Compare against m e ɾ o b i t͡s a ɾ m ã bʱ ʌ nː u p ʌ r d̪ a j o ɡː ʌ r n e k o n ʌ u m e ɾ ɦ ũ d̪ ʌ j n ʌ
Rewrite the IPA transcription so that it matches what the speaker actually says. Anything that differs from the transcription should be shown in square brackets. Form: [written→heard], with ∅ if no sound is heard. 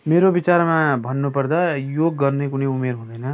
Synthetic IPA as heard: m e ɾ o b i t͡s a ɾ m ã bʱ ʌ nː u p ʌ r d̪ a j o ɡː ʌ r n e k [o→u] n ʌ u m e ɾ ɦ ũ d̪ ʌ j n ʌ

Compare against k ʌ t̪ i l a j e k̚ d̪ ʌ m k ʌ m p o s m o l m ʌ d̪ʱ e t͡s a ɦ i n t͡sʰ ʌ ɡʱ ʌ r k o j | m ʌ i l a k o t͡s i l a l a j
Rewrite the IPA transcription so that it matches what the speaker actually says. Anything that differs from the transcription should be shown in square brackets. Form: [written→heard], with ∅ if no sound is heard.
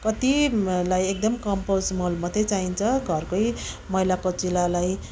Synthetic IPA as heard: k ʌ t̪ i l a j e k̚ d̪ ʌ m k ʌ m p o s m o l m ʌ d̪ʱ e t͡s a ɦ i n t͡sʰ ʌ ɡʱ ʌ r k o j | m ʌ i l a k o t͡s i l a l a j

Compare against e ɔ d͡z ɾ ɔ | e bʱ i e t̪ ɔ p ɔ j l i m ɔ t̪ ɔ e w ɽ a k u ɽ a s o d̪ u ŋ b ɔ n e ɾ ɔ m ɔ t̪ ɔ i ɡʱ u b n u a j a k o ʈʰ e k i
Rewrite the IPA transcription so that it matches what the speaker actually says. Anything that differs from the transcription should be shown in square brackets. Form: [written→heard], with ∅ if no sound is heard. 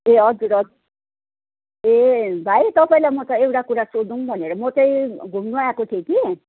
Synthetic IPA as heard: e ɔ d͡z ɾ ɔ | e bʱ [i→a] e t̪ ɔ p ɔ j l [i→a] m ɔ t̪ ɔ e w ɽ a k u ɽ a s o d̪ u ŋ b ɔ n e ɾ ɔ m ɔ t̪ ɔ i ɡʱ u [b→m] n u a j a k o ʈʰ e k i

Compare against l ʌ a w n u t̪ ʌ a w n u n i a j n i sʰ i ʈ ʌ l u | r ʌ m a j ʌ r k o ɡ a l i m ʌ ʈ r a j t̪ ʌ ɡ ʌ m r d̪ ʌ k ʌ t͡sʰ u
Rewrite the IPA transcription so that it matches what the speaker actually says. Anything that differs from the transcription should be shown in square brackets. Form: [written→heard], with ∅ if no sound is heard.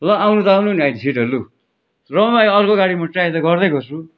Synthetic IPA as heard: l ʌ a w n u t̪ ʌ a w n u n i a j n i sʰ i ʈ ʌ l u | r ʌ m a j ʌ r k o ɡ a [l→ɽ] i m ʌ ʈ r a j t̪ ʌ ɡ ʌ [m→∅] r d̪ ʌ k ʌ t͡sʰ u

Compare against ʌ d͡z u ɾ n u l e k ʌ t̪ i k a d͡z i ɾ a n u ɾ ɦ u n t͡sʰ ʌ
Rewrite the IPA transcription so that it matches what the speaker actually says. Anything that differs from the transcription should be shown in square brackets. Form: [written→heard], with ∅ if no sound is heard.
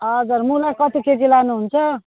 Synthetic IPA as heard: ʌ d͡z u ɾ [n→m] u l [e→a] k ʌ t̪ i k [a→e] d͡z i [ɾ→l] a n u [ɾ→∅] ɦ u n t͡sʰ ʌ

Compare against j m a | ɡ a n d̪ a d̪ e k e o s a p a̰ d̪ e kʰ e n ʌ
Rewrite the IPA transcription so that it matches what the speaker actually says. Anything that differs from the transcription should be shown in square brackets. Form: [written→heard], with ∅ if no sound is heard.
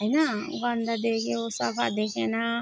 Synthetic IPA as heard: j [m→n] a | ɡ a n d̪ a d̪ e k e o s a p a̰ d̪ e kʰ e n [ʌ→a]

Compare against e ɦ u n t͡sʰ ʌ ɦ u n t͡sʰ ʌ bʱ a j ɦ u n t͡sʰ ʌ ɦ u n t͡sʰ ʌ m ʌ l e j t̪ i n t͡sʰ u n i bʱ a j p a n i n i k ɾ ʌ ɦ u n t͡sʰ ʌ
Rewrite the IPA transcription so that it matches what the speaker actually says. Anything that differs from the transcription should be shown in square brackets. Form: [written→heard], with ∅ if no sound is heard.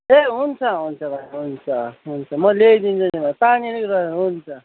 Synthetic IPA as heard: e ɦ u n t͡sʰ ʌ ɦ u n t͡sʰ ʌ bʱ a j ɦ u n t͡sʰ ʌ ɦ u n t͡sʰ ʌ m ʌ l e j [t̪→d̪] i n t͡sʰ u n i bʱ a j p a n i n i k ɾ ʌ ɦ u n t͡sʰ ʌ

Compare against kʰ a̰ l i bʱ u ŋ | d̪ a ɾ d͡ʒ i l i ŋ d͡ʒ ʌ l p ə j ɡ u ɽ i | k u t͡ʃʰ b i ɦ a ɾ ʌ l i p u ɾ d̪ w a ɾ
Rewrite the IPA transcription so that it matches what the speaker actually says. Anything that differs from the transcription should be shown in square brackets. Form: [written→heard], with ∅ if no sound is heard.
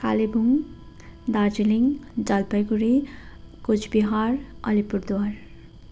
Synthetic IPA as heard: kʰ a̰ l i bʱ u ŋ | d̪ a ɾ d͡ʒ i l i ŋ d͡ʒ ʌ l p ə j ɡ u [ɽ→ɾ] i | k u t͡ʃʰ b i ɦ a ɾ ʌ l i p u ɾ d̪ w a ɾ

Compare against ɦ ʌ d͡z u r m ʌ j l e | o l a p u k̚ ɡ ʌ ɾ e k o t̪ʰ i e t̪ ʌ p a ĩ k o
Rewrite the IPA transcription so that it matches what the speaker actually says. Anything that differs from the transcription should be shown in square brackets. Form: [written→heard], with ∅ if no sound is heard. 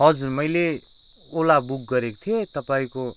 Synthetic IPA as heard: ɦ ʌ d͡z u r m ʌ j l e | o l a [p→b] u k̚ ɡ ʌ ɾ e k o t̪ʰ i e t̪ ʌ p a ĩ k o

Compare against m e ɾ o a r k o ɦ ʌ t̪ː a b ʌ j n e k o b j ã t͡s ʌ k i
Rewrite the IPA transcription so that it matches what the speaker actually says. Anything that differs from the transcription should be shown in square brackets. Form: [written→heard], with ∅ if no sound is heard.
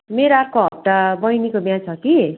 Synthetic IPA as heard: m e ɾ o a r k o ɦ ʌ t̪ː a b ʌ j n [e→i] k o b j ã [t͡s→t͡sʰ] ʌ k i

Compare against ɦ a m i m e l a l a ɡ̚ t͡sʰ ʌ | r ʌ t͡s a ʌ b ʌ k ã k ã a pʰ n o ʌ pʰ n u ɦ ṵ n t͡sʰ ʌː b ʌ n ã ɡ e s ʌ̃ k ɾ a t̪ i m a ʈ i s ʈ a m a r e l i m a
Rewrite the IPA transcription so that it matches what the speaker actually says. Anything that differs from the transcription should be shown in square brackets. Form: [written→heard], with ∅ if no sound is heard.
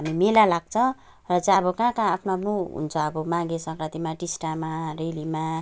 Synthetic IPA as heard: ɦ a m i m e l a l a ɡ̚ t͡sʰ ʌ | r ʌ t͡s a ʌ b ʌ k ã k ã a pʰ n o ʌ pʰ n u ɦ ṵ n t͡sʰ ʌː b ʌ [n→m] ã ɡ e s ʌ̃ k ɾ a t̪ i m a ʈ i s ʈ a m a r e l i m a

